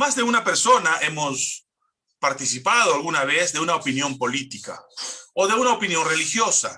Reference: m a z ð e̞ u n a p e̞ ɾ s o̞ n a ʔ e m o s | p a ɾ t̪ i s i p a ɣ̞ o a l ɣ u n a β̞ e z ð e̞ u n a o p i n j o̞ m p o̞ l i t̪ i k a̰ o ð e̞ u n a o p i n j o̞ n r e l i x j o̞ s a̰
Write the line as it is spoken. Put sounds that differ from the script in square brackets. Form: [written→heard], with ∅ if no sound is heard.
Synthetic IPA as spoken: m a z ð e̞ u n a p e̞ ɾ s o̞ n a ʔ e m o s | p a ɾ t̪ i s i p a [ɣ̞→ð̞] o a l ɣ u n a β̞ e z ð e̞ u n a o p i n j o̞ m p o̞ l i t̪ i k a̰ o ð e̞ u n a o p i n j o̞ n r e l i x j o̞ s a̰

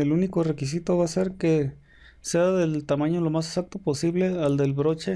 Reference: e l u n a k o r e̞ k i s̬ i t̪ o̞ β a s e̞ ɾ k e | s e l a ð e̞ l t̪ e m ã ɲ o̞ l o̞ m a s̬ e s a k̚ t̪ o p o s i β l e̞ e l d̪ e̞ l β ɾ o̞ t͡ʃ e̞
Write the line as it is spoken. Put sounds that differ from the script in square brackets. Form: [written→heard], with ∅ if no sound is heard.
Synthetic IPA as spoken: e l u n [a→i] k o r e̞ k i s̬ i t̪ o̞ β a s e̞ ɾ k e | s e [l→∅] a ð e̞ l t̪ [e→a] m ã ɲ o̞ l o̞ m a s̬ e s a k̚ t̪ o p o s i β l e̞ [e→a] l d̪ e̞ l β ɾ o̞ t͡ʃ e̞

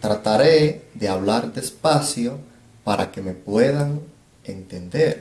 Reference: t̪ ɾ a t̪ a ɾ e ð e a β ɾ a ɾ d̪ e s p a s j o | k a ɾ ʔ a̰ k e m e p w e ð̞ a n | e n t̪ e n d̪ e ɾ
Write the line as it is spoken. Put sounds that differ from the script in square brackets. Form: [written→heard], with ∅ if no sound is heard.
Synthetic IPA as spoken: t̪ ɾ a t̪ a ɾ e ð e a β [ɾ→l] a ɾ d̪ e s p a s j o | [k→p] a ɾ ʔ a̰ k e m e p w e ð̞ a [n→ŋ] | e n t̪ e n d̪ e ɾ

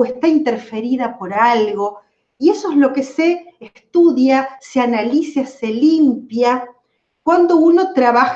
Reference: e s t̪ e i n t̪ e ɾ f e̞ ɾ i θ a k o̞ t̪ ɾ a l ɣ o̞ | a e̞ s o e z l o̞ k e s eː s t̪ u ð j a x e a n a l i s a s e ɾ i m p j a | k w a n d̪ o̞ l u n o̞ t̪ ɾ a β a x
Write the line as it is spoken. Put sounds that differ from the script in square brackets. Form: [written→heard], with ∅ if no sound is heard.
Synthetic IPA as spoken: e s t̪ [e→a] i n t̪ e ɾ f e̞ ɾ i [θ→ð] a [k→p] o̞ [t̪→∅] ɾ a l ɣ o̞ | [a→i] e̞ s o e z l o̞ k e s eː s t̪ u ð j a [x→s] e a n a l i s a s e [ɾ→l] i m p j a | k w a n d̪ o̞ [l→∅] u n o̞ t̪ ɾ a β a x

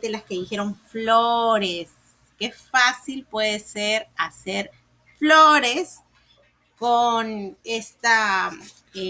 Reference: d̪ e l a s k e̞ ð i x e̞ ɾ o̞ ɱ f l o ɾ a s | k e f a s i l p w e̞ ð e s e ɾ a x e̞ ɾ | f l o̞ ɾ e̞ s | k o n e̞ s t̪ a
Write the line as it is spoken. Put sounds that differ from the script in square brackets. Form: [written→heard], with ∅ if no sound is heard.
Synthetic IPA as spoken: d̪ e l a s k e̞ ð i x e̞ ɾ o̞ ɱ f l o ɾ [a→e] s | k e f a s i l p w e̞ ð e s e ɾ a [x→s] e̞ ɾ | f l o̞ ɾ e̞ s | k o n e̞ s t̪ a

